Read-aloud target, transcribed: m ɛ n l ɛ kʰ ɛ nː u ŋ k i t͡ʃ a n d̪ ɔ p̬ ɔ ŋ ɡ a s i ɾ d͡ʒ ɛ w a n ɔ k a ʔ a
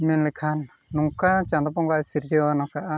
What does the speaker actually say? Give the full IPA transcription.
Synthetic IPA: m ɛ n l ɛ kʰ a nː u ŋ k a t͡ʃ a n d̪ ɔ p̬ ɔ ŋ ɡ a s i ɾ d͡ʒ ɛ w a n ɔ k a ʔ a